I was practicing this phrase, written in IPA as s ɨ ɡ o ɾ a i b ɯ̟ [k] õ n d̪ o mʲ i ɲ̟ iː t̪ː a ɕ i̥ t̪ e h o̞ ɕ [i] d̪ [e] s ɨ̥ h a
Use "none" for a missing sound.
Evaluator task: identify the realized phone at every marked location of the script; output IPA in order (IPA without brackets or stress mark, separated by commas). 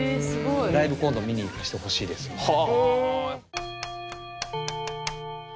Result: k, iː, e